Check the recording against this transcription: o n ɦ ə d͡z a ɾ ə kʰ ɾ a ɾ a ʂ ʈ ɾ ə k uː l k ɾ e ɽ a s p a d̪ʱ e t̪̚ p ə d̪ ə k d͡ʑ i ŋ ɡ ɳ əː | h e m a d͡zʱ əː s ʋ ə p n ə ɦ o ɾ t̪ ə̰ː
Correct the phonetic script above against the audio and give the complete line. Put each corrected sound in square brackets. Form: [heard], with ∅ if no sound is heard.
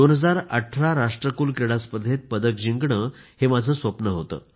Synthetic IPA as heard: o n ɦ ə d͡z a ɾ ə [ʈʰ] ɾ a ɾ a ʂ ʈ ɾ ə k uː l k ɾ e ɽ a s p [ə] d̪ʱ e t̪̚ p ə d̪ ə k d͡ʑ i ŋ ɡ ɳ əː | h e m a d͡zʱ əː s ʋ ə p n ə ɦ o [∅] t̪ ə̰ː